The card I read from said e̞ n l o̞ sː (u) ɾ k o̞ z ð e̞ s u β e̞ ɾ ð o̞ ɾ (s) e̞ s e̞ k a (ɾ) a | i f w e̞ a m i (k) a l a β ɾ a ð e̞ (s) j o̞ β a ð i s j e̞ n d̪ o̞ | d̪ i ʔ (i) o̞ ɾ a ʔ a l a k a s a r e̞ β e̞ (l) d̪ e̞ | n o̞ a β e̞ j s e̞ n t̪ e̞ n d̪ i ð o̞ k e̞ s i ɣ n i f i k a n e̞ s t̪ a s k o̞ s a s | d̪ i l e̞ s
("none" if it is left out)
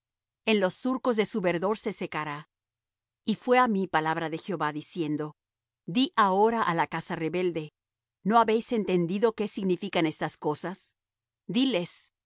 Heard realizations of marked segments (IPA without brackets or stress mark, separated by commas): u, s, ɾ, p, x, a, l